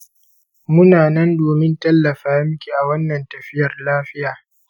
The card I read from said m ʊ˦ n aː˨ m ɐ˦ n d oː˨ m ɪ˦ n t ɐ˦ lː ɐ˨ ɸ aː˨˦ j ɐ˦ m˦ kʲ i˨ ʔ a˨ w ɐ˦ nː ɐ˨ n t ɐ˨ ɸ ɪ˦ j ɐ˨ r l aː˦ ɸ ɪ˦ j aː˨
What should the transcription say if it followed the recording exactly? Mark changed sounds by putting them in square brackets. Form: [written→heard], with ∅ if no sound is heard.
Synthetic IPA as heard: m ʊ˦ n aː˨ [m→n] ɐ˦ n d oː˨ m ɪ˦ n t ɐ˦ lː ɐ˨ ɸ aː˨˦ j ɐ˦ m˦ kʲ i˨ ʔ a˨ w ɐ˦ nː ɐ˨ n t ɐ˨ ɸ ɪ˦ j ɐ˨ r l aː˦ ɸ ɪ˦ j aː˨